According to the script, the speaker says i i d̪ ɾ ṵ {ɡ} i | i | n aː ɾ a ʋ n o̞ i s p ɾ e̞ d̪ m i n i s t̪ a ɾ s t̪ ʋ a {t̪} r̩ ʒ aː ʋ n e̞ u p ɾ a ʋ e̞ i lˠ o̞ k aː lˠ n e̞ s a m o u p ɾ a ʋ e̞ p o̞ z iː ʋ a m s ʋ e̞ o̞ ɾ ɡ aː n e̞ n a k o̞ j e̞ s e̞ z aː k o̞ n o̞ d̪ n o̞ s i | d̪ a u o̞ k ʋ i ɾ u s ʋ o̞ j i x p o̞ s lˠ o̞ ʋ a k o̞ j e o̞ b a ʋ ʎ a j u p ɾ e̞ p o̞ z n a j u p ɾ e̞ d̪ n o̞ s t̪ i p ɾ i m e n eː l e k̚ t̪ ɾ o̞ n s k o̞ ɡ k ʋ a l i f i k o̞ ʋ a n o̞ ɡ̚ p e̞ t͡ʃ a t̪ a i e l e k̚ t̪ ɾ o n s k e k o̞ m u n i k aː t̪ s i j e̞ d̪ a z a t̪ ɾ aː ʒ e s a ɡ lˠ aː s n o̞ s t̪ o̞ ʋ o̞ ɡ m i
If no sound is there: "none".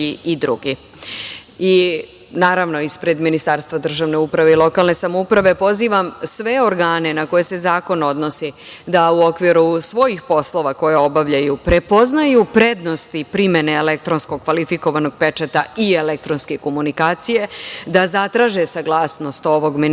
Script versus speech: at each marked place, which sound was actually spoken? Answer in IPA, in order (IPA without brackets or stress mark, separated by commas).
ɡ, d̪